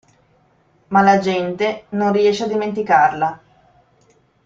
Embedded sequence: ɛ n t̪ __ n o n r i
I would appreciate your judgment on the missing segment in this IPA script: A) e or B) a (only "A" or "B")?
A